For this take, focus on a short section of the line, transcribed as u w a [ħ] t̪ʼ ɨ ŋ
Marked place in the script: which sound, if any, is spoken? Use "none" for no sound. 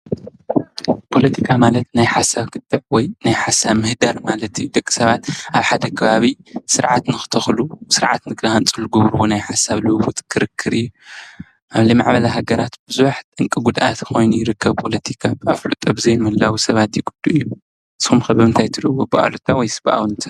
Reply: ħ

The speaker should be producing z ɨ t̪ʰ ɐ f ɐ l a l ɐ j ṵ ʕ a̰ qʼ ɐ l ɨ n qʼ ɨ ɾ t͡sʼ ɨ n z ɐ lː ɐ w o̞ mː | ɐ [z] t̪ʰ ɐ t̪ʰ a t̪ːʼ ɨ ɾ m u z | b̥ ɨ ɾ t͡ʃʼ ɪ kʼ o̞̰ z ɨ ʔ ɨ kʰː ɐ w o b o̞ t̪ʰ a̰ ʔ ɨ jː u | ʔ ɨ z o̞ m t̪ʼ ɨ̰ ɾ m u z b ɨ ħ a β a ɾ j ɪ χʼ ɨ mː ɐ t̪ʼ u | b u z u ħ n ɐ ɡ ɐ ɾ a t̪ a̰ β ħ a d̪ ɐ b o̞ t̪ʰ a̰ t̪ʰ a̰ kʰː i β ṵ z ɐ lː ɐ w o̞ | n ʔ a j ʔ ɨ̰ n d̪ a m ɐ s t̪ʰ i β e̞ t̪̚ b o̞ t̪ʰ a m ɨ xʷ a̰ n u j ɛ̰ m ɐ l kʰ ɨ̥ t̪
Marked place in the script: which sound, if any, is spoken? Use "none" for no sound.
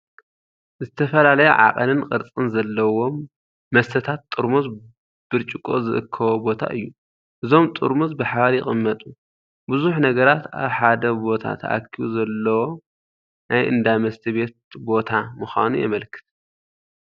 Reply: s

